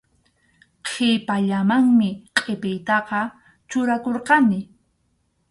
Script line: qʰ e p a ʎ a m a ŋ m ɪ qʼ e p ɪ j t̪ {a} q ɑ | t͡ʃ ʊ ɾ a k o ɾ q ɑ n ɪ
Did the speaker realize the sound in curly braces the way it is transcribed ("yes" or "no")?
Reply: no